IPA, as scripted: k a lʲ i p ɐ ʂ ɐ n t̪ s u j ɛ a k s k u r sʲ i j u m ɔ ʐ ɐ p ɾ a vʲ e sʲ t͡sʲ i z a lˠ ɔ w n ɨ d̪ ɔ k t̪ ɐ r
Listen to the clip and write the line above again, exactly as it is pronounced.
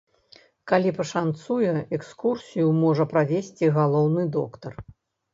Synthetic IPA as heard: k a lʲ i p ɐ ʂ a n t̪ s u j ɛ ɛ k s k u r sʲ i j u m ɔ ʐ ɐ p ɾ a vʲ e sʲ t͡sʲ i ɣ a lˠ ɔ w n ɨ d̪ ɔ k t̪ ɐ r